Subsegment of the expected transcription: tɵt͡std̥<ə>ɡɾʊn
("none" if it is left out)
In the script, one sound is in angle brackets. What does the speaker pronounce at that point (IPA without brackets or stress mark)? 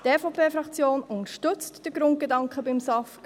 ə